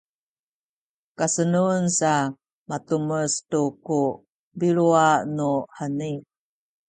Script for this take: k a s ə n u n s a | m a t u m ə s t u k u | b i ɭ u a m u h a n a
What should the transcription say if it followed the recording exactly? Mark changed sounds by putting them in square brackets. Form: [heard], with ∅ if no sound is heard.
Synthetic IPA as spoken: k a s ə n u n s a | m a t u m ə s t u k u | b i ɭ u a [n] u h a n [i]